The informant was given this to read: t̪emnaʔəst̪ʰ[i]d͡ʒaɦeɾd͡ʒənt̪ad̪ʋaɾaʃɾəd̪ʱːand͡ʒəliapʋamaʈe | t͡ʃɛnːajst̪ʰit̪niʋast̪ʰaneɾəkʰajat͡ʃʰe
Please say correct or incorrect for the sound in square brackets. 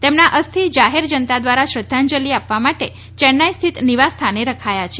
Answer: correct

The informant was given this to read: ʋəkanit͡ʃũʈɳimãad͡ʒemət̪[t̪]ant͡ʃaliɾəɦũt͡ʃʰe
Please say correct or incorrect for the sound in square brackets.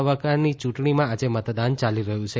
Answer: incorrect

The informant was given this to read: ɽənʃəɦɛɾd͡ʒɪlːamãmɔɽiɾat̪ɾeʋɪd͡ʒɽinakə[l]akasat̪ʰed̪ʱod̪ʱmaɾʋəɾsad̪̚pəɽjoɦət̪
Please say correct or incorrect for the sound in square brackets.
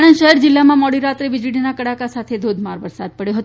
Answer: incorrect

